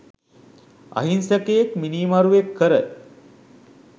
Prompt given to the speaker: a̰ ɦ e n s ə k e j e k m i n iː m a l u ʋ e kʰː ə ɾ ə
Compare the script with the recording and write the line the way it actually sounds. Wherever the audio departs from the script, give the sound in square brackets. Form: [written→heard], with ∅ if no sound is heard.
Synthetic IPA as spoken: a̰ ɦ [e→i] n s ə k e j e k m i n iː m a [l→ɾ] u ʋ e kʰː ə ɾ ə